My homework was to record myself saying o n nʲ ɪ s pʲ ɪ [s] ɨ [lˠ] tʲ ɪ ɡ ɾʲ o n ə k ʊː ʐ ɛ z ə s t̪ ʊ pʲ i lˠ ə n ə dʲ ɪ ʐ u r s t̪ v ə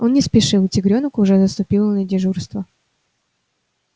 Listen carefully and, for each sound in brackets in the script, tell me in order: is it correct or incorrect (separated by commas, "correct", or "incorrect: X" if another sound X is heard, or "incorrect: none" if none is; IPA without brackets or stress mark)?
incorrect: ʂ, correct